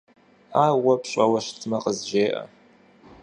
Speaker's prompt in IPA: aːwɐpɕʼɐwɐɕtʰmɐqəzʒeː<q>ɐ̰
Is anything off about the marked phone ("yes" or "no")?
yes